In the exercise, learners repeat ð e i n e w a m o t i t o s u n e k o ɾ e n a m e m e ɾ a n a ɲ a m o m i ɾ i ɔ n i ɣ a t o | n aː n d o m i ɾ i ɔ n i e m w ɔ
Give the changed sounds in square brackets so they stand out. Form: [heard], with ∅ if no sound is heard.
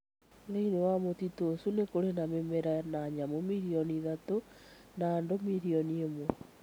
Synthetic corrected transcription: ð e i n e w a m o t i t o s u n e k o ɾ e n a m e m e ɾ a n a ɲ a m o m i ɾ i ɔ n i [ð] a t o | n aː n d o m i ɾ i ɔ n i e m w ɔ